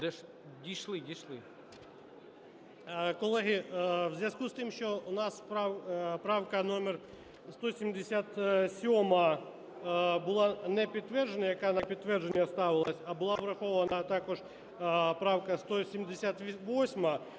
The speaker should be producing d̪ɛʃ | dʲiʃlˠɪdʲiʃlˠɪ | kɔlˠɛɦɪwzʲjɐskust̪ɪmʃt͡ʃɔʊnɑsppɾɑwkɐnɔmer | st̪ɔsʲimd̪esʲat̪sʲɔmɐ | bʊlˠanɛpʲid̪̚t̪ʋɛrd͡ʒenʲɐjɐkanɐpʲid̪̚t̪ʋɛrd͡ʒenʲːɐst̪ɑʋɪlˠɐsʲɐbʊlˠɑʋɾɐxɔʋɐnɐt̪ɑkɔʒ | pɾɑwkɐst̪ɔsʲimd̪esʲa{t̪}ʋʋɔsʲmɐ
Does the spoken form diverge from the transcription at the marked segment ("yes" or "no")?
no